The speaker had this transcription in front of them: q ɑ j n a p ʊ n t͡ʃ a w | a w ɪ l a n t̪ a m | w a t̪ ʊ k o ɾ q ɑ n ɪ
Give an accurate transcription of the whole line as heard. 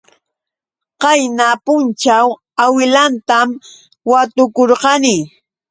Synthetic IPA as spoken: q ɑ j n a p ʊ n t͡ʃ a w | a w ɪ l a n t̪ a m | w a t̪ ʊ k o ɾ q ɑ n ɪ